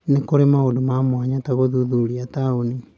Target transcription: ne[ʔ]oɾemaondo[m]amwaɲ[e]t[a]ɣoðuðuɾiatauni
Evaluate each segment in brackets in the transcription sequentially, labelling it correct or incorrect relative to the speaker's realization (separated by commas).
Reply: incorrect, correct, incorrect, correct